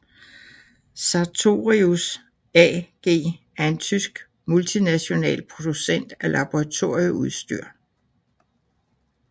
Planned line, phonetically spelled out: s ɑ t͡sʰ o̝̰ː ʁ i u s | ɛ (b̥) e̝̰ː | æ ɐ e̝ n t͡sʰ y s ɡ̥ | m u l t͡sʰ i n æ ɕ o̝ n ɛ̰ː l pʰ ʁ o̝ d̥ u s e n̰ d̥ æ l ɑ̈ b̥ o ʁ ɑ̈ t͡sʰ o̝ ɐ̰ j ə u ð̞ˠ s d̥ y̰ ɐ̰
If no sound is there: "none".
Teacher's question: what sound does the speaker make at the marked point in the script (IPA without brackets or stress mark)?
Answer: ɡ̥